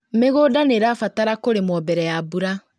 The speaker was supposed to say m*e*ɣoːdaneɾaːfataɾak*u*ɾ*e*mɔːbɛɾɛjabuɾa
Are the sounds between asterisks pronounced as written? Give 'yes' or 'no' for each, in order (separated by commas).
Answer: yes, no, yes